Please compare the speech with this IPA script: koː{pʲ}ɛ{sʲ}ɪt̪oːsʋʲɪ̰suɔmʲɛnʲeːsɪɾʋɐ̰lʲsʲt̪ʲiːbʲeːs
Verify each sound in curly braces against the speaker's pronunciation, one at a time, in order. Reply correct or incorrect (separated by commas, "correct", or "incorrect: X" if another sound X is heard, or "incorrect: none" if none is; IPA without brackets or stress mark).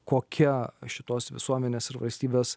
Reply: incorrect: kʲ, incorrect: ʃʲ